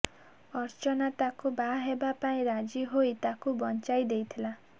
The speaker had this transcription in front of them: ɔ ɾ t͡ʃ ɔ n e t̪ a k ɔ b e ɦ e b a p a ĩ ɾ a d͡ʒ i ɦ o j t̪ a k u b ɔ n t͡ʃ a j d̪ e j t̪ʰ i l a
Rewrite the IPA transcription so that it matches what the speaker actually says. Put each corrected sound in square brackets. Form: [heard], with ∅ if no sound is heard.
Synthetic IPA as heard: ɔ ɾ t͡ʃ ɔ n [a] t̪ a k [u] b [a] ɦ e b a p a ĩ ɾ a d͡ʒ i ɦ o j t̪ a k u b ɔ n t͡ʃ a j d̪ e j t̪ʰ i l a